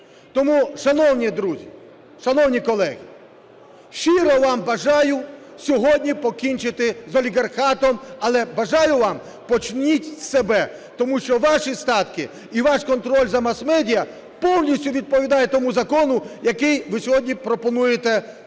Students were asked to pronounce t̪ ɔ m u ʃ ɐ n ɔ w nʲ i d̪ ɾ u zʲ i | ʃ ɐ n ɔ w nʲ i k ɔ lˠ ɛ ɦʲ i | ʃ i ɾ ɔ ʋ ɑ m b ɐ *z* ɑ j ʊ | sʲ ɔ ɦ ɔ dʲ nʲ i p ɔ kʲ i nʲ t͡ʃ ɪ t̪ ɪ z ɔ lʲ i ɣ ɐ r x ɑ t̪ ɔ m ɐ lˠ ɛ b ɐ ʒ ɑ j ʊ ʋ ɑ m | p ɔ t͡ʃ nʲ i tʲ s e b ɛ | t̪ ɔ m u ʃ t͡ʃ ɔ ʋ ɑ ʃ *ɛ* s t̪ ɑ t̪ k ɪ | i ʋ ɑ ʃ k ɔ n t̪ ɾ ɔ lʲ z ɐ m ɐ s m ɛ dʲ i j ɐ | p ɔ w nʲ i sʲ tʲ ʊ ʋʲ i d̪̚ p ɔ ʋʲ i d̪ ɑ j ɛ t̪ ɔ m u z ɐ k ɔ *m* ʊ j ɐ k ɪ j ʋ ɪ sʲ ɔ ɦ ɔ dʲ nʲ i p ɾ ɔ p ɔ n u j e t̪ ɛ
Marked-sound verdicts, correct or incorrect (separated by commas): incorrect, incorrect, incorrect